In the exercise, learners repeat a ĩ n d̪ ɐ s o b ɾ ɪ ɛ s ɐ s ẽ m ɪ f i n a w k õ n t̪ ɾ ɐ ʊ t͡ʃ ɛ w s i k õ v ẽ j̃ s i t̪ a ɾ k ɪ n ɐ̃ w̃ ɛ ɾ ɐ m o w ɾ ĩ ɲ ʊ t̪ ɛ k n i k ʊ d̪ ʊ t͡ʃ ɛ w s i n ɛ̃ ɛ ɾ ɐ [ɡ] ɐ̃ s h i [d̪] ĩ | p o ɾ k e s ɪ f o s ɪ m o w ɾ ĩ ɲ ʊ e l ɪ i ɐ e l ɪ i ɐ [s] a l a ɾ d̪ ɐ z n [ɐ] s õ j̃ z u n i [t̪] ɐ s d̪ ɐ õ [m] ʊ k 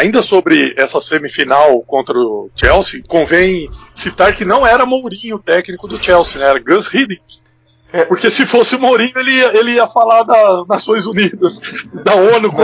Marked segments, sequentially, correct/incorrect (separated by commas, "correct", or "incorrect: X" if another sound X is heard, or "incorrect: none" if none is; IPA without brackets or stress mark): correct, correct, incorrect: f, incorrect: a, incorrect: d̪, incorrect: n